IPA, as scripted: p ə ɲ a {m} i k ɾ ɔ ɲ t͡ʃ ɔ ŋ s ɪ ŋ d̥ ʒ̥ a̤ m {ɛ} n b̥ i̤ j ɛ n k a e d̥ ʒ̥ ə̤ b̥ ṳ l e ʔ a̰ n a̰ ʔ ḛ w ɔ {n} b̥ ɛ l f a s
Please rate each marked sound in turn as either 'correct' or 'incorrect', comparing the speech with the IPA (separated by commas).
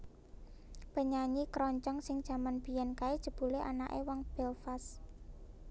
incorrect, incorrect, incorrect